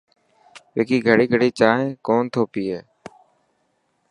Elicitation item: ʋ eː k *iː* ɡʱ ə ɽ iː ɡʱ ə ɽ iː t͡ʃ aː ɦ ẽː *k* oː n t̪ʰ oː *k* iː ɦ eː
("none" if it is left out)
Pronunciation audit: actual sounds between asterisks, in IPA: iː, k, p

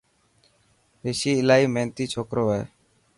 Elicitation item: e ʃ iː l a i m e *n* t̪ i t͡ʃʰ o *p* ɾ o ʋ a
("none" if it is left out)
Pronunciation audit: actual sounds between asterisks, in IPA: n, k

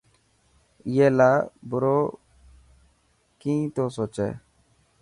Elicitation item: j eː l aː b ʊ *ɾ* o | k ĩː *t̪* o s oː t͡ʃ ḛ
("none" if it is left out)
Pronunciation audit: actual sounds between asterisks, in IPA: ɾ, t̪

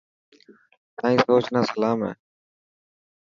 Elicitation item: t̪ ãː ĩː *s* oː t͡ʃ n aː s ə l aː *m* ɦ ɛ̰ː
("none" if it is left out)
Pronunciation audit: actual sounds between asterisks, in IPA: s, m

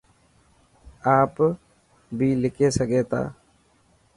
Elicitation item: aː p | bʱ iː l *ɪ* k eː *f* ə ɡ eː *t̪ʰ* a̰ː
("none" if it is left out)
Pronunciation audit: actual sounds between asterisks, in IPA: ɪ, s, t̪

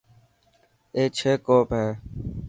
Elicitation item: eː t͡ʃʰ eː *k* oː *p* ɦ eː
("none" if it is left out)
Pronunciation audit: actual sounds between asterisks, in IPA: k, p

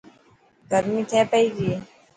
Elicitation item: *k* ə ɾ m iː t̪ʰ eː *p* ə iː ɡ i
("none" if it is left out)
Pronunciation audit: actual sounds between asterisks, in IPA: ɡ, p

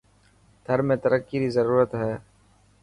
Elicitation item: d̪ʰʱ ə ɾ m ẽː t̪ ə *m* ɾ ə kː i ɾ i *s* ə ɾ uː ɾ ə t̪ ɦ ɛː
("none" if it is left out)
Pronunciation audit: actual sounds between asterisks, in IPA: none, z

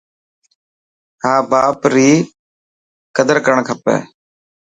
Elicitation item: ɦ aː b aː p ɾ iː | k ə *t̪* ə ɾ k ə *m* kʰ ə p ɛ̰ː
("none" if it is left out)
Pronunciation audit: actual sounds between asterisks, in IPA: d̪, ɳ

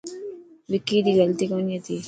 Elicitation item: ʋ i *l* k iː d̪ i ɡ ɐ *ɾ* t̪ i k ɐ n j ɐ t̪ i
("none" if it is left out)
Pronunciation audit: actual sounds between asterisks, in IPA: none, l

